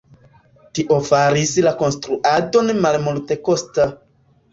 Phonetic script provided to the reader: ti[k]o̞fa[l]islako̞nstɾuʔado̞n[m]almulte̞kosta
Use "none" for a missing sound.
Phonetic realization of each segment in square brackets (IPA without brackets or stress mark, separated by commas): ʔ, ɾ, m